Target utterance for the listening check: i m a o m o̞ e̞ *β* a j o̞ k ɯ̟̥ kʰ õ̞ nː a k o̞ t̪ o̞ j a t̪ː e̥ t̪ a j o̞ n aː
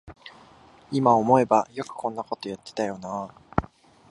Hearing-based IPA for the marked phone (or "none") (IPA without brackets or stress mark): b